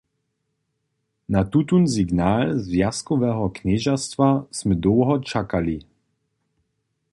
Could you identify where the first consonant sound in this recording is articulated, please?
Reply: alveolar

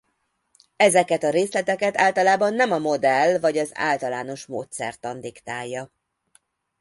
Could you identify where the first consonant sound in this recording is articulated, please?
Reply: alveolar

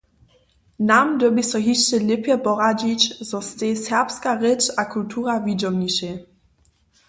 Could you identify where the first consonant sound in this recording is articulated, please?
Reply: alveolar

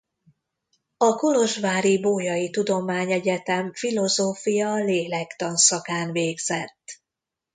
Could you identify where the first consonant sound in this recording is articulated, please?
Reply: velar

